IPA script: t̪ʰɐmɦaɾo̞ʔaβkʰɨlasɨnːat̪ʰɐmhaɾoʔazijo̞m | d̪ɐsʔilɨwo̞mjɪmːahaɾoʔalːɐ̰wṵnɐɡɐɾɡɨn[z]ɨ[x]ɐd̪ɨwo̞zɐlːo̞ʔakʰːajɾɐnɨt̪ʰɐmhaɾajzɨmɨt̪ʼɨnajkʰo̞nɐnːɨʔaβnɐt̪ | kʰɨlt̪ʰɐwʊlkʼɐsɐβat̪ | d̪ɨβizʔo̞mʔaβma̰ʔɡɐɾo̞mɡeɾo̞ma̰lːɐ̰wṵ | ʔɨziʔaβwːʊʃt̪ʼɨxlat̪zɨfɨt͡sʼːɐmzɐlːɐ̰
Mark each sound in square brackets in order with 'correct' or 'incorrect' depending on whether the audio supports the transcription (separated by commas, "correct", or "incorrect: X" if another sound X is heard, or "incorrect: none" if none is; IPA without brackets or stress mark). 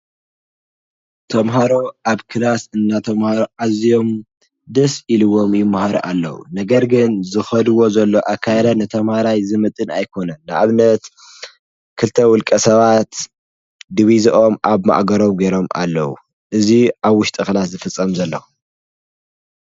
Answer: correct, correct